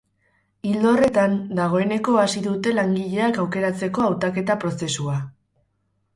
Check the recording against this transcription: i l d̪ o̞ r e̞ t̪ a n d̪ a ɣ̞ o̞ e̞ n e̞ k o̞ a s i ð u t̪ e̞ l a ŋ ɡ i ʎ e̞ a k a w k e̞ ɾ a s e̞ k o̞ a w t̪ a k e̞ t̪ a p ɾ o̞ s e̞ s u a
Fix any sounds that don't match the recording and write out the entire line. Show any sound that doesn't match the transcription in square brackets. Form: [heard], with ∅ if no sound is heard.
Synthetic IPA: i l d̪ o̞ r e̞ t̪ a n d̪ a ɣ̞ o̞ e̞ n e̞ k o̞ a s i ð u t̪ e̞ l a ŋ ɡ i ʎ e̞ a k a w k e̞ ɾ a [t͡s] e̞ k o̞ a w t̪ a k e̞ t̪ a p ɾ o̞ s e̞ s u a